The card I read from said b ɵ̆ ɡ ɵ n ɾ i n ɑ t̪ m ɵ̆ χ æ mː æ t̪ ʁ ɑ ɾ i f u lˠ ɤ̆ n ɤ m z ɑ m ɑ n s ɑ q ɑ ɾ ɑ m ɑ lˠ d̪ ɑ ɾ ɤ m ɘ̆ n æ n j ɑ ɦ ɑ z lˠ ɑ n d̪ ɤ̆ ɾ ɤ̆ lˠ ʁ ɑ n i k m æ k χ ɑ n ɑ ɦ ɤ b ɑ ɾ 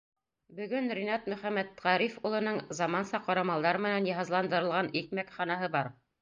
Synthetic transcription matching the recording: b ɵ̆ ɡ ɵ n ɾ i n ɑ t̪ m ɵ̆ χ æ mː æ t̪ ʁ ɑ ɾ i f u lˠ ɤ̆ n ɤ ɴ z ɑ m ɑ n s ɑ q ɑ ɾ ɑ m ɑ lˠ d̪ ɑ ɾ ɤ m ɘ̆ n æ n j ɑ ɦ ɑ z lˠ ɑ n d̪ ɤ̆ ɾ ɤ̆ lˠ ʁ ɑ n i k m æ k χ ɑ n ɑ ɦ ɤ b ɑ ɾ